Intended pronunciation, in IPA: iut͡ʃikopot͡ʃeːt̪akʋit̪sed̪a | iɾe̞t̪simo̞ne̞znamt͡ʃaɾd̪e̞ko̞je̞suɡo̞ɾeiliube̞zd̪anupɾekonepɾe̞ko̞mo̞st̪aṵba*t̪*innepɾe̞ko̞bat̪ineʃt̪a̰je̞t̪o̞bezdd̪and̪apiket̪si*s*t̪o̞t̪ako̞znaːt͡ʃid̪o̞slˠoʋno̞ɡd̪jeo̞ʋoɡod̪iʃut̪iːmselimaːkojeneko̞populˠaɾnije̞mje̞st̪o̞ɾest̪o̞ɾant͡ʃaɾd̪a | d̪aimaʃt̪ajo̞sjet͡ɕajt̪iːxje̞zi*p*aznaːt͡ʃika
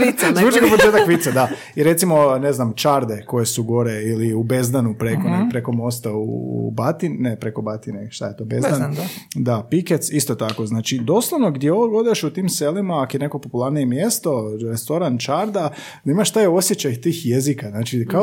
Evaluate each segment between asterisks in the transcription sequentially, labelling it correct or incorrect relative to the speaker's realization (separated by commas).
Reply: correct, correct, incorrect